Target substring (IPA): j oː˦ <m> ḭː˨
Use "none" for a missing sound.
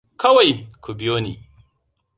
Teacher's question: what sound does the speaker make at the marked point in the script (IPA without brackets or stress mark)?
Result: n